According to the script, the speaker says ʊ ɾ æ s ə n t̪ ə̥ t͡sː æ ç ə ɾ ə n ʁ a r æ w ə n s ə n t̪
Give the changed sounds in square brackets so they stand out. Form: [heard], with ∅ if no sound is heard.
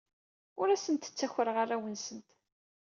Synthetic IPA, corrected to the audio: ʊ ɾ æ s ə n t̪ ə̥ t͡sː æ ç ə ɾ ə [∅] ʁ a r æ w ə n s ə n t̪